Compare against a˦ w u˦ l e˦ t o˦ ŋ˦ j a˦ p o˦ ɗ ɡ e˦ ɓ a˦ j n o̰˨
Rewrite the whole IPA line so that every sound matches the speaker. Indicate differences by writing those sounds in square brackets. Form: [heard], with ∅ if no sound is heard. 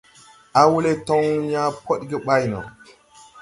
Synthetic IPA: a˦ w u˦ l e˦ t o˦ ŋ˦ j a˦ p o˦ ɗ ɡ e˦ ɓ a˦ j n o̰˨